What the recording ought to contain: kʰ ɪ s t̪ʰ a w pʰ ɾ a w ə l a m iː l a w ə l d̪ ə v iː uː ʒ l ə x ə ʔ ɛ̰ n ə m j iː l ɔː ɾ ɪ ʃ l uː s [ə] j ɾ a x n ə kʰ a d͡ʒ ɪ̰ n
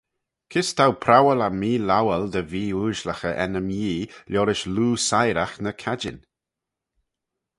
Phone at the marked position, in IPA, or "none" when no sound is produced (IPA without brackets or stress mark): a